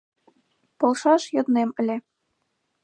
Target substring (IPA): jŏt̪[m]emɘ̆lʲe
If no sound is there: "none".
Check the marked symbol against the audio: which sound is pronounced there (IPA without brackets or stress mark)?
n